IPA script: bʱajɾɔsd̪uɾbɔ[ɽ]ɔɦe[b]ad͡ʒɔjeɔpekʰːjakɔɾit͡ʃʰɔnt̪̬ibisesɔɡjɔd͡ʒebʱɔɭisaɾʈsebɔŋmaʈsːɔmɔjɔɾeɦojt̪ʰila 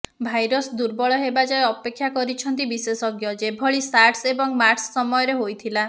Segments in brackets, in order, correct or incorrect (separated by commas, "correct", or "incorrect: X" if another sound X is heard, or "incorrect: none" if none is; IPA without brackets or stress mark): incorrect: ɭ, correct